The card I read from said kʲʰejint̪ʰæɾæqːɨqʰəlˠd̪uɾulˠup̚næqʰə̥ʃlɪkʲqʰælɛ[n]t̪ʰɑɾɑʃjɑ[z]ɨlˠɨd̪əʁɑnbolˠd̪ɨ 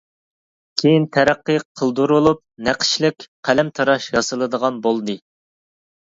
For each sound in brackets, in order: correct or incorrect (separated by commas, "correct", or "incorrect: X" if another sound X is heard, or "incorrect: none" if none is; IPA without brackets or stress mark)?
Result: incorrect: m, incorrect: s